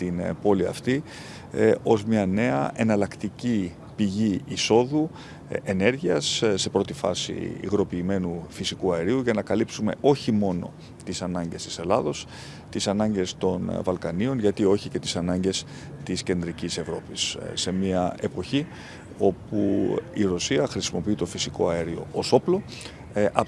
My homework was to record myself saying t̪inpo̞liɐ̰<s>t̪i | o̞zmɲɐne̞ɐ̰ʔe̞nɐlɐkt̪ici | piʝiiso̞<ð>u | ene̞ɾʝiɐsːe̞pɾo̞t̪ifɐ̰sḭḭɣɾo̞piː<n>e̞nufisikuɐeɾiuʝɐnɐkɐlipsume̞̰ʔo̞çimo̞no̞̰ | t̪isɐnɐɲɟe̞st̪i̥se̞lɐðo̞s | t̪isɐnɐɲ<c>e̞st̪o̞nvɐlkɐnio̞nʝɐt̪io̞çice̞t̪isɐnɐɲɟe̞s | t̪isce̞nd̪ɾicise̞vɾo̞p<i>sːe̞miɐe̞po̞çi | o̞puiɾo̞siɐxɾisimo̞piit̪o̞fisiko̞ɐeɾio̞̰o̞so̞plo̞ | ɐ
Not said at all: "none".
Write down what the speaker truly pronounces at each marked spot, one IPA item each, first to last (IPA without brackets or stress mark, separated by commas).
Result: f, ð, m, ɟ, i